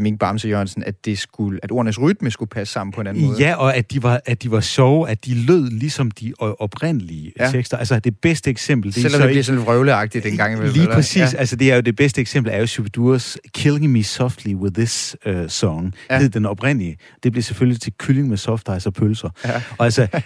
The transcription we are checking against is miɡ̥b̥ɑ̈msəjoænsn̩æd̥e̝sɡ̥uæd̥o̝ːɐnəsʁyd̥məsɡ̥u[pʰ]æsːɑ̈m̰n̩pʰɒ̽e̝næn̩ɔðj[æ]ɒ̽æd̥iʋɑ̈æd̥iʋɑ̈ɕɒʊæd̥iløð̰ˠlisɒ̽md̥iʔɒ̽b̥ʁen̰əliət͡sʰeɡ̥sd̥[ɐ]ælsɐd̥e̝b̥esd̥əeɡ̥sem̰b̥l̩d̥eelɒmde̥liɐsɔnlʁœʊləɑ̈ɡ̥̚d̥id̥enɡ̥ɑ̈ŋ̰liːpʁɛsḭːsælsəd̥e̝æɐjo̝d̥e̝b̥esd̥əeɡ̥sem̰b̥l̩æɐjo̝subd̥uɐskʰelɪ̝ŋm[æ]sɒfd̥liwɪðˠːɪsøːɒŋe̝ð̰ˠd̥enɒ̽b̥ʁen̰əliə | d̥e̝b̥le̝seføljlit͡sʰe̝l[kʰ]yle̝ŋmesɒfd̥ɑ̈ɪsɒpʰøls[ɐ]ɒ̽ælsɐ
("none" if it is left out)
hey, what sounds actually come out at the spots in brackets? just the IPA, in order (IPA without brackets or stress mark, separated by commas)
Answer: pʰ, æ, ɐ, i, kʰ, ɐ